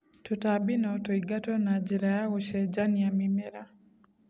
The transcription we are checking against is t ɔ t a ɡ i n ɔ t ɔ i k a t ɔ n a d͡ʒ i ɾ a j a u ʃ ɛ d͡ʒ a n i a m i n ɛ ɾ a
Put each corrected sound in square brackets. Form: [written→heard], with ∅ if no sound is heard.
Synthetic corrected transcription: t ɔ t a [ɡ→b] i n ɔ t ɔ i [k→ɡ] a t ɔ n a d͡ʒ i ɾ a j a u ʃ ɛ d͡ʒ a n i a m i [n→m] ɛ ɾ a